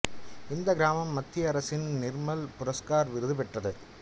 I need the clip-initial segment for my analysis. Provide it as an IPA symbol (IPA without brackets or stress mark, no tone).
ɪ